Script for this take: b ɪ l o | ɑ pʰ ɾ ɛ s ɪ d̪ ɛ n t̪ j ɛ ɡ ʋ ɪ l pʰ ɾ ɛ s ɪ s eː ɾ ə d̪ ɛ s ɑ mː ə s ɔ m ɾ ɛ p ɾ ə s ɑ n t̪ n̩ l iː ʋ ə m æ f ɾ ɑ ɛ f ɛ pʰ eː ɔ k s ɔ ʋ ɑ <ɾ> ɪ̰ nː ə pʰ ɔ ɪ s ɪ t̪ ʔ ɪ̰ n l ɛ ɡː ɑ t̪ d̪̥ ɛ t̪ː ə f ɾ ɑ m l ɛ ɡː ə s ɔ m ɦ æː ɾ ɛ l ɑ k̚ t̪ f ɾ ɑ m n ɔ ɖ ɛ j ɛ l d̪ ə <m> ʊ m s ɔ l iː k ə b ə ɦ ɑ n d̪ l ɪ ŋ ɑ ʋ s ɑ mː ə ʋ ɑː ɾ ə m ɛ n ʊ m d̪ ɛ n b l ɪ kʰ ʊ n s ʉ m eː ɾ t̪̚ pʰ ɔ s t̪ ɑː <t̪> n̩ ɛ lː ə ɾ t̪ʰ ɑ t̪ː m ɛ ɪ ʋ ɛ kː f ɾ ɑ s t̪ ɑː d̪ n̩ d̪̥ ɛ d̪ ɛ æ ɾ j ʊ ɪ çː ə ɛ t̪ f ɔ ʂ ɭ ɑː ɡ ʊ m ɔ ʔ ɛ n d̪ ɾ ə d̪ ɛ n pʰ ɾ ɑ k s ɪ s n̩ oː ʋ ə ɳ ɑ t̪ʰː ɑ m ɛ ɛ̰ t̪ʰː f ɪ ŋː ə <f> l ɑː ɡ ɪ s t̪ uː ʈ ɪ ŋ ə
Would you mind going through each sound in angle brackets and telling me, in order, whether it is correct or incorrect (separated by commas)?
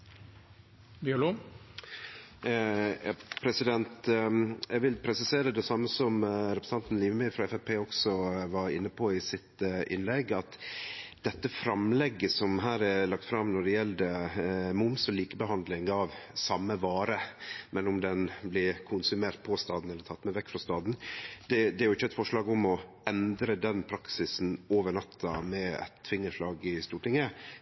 correct, correct, incorrect, incorrect